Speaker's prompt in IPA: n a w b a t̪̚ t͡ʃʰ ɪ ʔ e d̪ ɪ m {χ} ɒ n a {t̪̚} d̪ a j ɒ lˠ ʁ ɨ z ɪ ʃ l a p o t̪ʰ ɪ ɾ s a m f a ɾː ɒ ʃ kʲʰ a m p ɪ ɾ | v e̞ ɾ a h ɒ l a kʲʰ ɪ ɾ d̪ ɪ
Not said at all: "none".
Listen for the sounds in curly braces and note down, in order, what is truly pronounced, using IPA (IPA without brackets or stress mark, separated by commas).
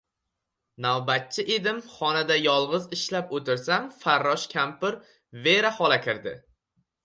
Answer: χ, none